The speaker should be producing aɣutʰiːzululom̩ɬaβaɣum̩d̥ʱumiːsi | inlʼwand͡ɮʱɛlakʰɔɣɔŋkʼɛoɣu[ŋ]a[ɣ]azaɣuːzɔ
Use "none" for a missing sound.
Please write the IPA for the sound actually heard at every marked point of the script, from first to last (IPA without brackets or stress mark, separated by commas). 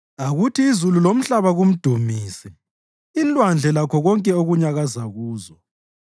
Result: ɲ, ɣ